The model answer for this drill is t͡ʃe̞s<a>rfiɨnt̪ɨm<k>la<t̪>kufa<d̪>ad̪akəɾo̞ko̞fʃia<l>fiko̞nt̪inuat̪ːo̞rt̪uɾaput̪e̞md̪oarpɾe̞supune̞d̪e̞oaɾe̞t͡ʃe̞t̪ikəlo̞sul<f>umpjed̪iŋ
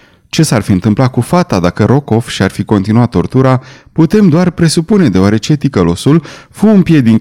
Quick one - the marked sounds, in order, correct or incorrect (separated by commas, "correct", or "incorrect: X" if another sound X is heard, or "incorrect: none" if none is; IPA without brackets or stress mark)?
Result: correct, incorrect: p, incorrect: none, incorrect: t̪, incorrect: r, correct